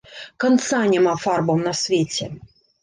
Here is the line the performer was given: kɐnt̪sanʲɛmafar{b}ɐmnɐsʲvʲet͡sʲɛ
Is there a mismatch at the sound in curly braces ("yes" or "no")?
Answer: no